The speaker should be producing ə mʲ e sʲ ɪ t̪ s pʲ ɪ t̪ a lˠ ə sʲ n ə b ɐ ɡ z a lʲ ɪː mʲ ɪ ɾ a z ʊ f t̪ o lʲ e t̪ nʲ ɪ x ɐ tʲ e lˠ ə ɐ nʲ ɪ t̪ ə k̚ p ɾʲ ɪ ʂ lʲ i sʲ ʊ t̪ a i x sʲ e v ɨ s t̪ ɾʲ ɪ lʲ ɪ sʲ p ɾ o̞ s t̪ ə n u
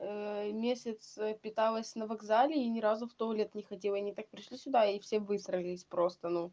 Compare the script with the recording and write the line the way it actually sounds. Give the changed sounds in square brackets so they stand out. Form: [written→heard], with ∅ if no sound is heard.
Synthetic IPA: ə mʲ e sʲ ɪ t̪ s pʲ ɪ t̪ a lˠ ə sʲ n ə [b→v] ɐ ɡ z a lʲ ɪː [mʲ→nʲ] ɪ ɾ a z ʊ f t̪ o lʲ e t̪ nʲ ɪ x ɐ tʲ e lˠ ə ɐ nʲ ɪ t̪ [ə→a] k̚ p ɾʲ ɪ ʂ lʲ i sʲ ʊ [t̪→d̪] a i [x→f] sʲ e v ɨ s t̪ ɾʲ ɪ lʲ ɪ sʲ p ɾ o̞ s t̪ ə n u